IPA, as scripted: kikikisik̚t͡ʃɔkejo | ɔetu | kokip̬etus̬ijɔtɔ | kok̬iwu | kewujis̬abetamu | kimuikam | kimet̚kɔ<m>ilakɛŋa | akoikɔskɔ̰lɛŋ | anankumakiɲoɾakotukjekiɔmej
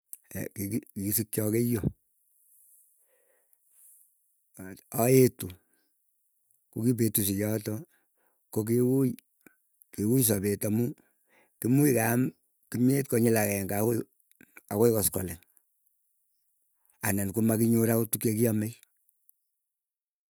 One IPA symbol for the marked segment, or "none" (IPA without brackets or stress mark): ɲ